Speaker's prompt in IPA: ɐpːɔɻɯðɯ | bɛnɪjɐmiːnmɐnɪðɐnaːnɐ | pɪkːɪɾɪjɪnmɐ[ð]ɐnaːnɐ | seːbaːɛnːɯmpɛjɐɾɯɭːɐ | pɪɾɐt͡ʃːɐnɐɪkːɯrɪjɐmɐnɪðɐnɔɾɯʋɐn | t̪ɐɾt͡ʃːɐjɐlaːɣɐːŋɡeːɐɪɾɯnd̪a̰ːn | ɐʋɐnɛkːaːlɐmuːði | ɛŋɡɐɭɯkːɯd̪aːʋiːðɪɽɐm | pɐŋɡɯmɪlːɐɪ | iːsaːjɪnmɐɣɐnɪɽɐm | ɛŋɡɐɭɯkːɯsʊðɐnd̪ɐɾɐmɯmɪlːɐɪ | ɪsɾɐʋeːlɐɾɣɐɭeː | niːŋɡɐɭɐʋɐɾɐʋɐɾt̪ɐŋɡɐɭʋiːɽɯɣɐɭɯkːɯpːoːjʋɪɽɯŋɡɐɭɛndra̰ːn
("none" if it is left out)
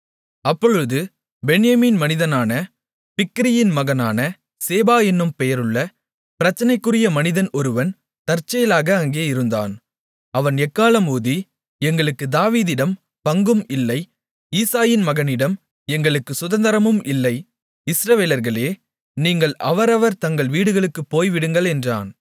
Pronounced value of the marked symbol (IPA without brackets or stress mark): ɣ